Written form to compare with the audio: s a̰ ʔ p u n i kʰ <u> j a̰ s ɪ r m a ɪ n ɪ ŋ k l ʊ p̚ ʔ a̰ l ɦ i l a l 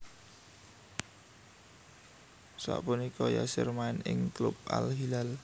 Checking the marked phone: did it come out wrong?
yes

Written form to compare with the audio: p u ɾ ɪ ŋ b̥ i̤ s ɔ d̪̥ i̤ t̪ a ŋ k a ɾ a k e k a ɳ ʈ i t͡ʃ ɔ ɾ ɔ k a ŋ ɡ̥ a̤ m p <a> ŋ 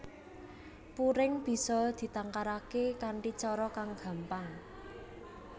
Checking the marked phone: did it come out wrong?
no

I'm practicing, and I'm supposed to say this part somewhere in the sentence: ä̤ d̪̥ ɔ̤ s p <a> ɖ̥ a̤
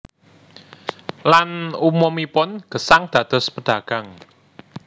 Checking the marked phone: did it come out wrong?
yes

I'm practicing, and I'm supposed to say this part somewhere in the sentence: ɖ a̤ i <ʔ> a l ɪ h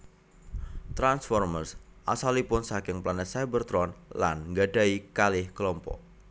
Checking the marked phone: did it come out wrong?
yes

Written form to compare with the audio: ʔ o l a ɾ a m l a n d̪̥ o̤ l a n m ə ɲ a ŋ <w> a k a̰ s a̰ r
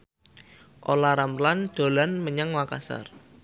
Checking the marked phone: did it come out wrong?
no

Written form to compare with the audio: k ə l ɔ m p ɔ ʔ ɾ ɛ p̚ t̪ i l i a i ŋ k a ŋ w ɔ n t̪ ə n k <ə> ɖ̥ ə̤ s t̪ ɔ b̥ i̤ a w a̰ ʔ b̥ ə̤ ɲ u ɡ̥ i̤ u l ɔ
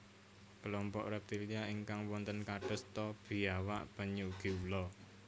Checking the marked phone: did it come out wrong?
yes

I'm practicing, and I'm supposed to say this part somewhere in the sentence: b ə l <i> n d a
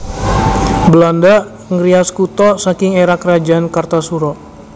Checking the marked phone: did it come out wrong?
yes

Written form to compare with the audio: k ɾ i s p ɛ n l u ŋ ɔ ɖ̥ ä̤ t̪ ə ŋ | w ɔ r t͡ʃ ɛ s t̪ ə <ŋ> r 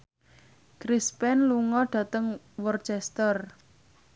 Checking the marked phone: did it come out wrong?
yes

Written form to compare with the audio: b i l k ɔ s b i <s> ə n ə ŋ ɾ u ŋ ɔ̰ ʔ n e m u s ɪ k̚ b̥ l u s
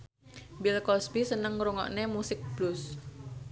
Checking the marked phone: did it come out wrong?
no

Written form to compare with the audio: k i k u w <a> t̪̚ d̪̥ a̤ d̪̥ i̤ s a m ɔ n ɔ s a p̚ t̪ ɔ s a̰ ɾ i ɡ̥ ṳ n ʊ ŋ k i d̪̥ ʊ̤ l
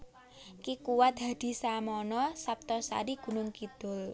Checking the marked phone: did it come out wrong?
no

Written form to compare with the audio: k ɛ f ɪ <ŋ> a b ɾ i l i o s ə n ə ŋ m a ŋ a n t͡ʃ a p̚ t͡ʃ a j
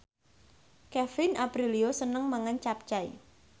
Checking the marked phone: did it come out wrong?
yes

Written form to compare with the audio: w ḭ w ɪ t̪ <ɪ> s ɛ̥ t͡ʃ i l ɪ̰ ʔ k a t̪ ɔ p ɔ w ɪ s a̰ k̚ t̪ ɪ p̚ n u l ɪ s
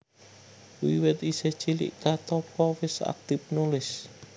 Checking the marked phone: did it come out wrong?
yes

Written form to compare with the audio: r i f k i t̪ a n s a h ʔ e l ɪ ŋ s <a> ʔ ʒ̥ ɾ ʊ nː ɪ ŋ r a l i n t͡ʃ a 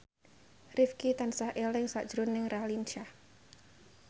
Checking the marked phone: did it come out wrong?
no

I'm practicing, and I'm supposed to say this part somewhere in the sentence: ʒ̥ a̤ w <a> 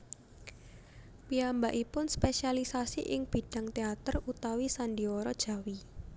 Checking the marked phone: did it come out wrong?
yes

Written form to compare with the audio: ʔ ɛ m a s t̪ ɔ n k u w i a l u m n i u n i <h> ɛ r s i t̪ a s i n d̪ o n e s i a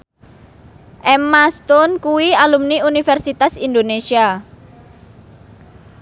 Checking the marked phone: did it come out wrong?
yes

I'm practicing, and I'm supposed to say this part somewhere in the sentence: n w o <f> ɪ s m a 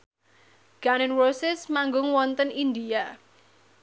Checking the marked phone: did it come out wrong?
yes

